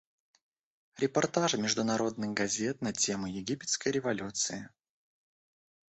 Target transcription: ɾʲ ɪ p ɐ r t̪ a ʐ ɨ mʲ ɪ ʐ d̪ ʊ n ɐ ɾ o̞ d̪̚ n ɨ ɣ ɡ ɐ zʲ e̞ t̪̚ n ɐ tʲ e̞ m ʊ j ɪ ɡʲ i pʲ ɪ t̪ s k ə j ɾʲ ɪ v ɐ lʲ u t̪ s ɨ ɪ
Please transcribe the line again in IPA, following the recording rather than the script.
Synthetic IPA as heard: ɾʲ ɪ p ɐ r t̪ a ʐ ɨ mʲ ɪ ʐ d̪ ʊ n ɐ ɾ o̞ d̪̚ n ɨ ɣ ɡ ɐ zʲ e̞ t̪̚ n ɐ tʲ e̞ m ʊ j ɪ ɡʲ i pʲ ɪ t̪ s k ə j ɾʲ ɪ v ɐ lʲ u t̪ s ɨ ɪ